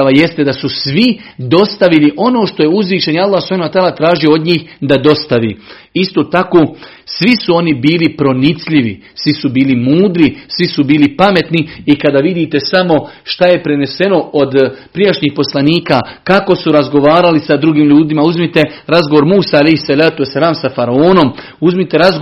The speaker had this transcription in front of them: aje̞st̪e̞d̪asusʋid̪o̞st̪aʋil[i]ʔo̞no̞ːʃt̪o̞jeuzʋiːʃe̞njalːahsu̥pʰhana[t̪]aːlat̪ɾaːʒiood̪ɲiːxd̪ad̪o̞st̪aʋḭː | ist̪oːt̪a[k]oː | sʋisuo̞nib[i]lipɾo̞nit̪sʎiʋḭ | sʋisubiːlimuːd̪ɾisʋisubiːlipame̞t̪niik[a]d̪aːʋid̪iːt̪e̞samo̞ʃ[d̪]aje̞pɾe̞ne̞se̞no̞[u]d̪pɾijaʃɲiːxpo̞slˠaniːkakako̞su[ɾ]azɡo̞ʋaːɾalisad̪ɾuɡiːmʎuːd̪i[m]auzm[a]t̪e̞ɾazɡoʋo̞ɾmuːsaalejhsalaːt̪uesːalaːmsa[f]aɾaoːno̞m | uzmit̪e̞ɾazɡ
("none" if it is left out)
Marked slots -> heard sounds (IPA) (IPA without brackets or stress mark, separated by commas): i, t̪, k, iː, a, t̪, o, ɾ, m, i, f